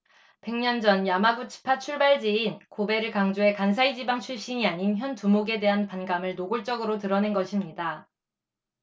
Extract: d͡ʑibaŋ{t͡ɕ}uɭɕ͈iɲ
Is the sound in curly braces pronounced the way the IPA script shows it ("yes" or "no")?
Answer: no